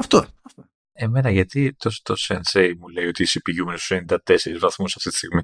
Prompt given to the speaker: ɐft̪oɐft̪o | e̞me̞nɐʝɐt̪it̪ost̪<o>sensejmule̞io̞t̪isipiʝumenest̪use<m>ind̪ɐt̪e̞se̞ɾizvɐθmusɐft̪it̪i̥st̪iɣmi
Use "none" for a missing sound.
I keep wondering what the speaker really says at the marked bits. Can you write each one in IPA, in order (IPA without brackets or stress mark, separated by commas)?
o, n